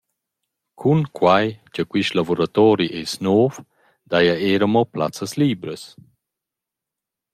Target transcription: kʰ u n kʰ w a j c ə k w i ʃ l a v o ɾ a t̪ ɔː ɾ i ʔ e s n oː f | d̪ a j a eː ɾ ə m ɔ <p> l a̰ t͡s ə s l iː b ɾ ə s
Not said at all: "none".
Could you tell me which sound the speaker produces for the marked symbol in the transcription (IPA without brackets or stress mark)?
p